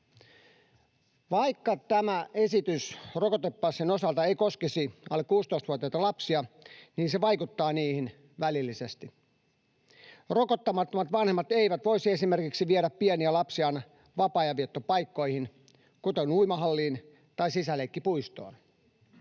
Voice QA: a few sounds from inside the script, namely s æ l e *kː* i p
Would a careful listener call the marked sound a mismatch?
no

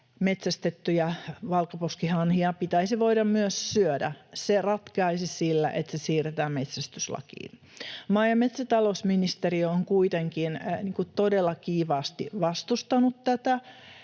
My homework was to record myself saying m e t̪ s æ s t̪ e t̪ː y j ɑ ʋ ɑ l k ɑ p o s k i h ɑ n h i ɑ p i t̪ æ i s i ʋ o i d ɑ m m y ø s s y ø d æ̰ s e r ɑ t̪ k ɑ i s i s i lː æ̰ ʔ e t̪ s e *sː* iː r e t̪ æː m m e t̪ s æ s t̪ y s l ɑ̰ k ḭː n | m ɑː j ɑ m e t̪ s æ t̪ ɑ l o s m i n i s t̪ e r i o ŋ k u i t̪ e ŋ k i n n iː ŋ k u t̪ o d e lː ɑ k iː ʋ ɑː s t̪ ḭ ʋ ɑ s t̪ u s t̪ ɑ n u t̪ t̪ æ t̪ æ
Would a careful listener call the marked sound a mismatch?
yes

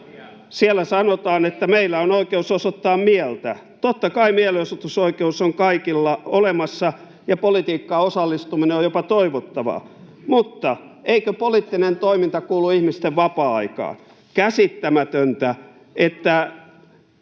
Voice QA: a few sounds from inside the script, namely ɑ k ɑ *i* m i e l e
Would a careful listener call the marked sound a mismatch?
no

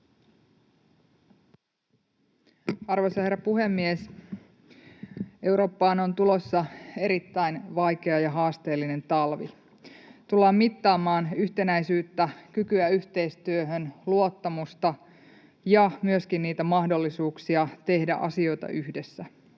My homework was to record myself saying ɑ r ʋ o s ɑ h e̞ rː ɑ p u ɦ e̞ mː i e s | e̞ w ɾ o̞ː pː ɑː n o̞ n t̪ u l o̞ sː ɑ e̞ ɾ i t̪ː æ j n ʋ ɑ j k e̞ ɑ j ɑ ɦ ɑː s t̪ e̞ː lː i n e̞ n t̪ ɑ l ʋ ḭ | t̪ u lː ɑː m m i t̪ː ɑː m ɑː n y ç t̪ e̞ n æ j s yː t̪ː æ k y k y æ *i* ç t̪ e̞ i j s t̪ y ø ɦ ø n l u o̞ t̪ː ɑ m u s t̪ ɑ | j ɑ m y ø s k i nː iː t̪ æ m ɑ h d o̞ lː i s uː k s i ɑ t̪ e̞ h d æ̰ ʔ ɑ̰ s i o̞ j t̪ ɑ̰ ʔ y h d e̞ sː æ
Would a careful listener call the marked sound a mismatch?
yes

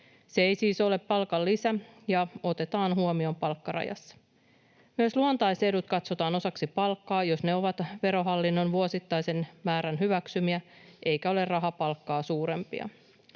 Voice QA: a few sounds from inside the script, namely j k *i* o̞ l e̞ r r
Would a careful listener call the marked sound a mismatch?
yes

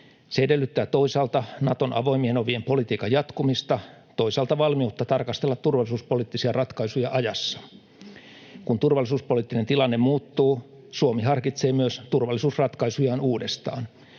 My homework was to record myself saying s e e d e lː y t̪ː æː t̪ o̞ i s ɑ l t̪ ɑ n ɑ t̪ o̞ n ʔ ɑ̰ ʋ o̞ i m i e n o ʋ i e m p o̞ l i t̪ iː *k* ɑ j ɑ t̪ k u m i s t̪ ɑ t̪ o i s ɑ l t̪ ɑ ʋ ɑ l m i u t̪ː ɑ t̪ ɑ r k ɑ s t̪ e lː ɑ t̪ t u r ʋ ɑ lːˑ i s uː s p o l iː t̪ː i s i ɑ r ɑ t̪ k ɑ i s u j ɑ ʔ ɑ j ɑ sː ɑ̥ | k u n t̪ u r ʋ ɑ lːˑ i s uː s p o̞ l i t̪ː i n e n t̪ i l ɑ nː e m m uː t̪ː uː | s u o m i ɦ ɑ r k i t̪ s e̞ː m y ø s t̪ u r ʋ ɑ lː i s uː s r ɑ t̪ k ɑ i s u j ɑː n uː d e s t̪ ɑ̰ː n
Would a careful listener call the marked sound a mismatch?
no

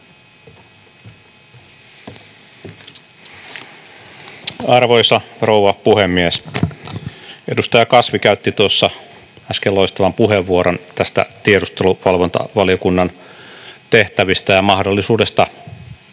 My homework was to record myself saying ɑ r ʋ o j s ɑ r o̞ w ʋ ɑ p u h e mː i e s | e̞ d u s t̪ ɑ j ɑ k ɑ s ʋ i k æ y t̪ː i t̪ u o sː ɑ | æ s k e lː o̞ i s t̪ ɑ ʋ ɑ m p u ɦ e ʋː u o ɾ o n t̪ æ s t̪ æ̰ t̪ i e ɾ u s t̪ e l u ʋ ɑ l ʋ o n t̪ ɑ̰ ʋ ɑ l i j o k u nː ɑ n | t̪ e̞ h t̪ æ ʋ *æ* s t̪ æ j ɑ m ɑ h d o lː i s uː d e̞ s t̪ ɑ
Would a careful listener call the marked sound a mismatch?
yes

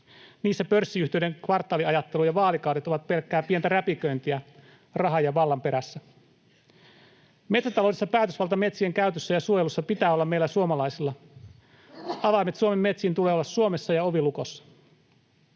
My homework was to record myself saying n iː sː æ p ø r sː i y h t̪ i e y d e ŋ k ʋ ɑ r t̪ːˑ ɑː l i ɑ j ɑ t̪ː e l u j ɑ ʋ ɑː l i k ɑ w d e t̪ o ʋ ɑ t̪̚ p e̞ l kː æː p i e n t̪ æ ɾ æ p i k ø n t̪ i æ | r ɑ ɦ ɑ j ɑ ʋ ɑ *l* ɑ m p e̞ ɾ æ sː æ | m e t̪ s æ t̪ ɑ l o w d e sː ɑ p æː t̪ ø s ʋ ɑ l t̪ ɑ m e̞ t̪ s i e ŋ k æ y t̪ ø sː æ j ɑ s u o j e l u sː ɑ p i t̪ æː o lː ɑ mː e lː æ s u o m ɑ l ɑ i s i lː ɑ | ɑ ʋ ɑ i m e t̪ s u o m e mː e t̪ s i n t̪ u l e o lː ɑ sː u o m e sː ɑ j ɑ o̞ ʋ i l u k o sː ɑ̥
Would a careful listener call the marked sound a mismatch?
yes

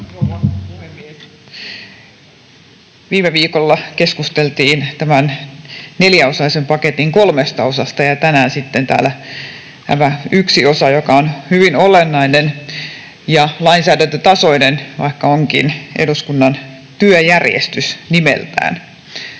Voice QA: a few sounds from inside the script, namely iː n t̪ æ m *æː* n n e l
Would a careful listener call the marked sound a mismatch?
yes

